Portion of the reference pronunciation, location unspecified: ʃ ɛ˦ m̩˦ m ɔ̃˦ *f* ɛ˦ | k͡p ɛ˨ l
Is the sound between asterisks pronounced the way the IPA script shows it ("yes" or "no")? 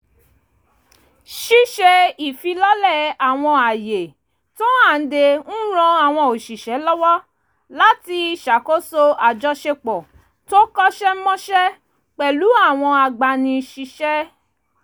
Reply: no